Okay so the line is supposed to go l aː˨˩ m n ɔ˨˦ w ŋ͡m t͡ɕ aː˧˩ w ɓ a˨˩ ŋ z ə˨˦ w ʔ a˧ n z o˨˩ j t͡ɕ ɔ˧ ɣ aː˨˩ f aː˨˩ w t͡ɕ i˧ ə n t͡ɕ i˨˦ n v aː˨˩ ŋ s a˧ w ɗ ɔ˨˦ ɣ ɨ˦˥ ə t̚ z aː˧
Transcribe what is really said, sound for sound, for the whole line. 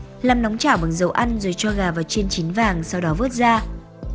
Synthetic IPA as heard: l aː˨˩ m n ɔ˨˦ w ŋ͡m t͡ɕ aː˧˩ w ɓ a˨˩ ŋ z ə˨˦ w ʔ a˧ n z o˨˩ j t͡ɕ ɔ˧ ɣ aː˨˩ v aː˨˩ w t͡ɕ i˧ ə n t͡ɕ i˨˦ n v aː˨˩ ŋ s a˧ w ɗ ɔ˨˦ v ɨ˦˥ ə t̚ z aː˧